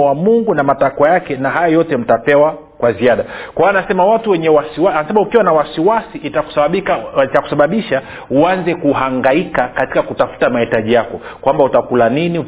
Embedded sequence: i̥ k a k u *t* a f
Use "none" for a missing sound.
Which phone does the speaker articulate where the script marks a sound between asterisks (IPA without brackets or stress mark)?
t